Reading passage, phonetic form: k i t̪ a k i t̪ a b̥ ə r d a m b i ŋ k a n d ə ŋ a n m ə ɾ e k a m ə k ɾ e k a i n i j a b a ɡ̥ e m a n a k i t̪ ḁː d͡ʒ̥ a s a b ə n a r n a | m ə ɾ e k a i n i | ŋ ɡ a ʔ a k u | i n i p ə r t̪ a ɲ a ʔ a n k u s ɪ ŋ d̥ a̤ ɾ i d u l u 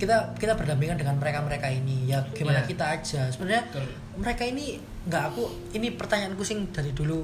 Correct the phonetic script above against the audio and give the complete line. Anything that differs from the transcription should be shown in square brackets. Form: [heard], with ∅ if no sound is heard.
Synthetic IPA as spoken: k i t̪ a k i t̪ a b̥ ə r d a m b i ŋ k a n d ə ŋ a n m ə ɾ e k a m ə [∅] ɾ e k a i n i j a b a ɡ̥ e m a n a k i t̪ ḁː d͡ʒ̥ a s [ə] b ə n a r [ɲ] a | m ə ɾ e k a i n i | ŋ ɡ a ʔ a k u | i n i p ə r t̪ a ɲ a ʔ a n k u s ɪ ŋ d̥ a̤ ɾ i d u l u